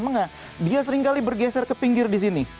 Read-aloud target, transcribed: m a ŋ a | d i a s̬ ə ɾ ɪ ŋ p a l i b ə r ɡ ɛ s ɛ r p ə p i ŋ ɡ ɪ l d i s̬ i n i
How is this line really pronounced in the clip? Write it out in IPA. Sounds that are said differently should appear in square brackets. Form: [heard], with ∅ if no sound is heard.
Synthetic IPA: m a ŋ a | d i a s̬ ə ɾ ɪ ŋ [k] a l i b ə r ɡ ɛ s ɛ r [k] ə p i ŋ ɡ ɪ [r] d i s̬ i n i